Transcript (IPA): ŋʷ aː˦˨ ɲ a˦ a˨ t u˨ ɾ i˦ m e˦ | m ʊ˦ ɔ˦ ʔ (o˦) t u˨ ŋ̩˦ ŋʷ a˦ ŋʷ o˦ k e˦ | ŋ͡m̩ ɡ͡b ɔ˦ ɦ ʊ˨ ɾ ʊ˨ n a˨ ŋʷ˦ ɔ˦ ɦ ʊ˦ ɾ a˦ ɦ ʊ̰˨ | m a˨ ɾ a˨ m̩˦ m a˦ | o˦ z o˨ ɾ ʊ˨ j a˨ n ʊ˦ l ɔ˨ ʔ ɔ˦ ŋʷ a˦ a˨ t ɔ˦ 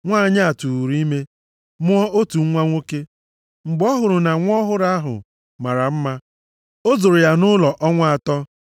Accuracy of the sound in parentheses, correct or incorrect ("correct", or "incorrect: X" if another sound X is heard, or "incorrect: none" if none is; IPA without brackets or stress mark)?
correct